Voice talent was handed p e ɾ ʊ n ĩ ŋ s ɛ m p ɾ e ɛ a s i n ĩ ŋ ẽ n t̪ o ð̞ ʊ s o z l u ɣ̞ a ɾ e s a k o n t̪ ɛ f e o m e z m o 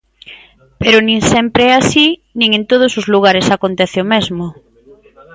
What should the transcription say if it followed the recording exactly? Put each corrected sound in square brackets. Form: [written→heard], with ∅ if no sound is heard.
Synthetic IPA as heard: p e ɾ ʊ n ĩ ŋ s ɛ m p ɾ e ɛ a s i n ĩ ŋ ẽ n t̪ o ð̞ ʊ s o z l u ɣ̞ a ɾ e s a k o n t̪ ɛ [f→θ] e o m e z m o